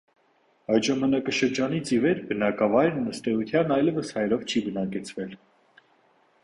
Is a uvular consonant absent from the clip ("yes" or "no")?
yes